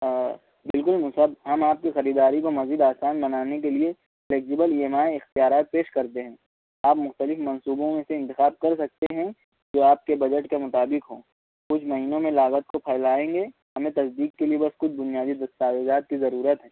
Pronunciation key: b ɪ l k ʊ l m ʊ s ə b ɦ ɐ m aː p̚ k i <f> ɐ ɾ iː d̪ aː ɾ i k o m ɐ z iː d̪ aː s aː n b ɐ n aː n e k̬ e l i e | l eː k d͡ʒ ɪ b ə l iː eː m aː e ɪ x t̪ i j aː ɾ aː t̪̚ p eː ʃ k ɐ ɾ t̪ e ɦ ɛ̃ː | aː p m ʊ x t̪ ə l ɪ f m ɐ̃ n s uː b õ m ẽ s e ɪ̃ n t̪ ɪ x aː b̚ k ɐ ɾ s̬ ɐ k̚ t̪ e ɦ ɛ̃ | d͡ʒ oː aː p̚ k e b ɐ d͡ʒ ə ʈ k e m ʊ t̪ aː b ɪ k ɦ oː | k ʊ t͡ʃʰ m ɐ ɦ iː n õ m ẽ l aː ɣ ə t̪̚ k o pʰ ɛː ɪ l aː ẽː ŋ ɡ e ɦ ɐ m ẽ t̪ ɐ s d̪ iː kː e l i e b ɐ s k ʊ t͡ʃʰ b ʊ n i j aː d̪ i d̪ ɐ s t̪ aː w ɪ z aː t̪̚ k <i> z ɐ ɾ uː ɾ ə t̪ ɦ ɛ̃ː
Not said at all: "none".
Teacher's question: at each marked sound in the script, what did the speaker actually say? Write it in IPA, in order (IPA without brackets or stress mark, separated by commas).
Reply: x, i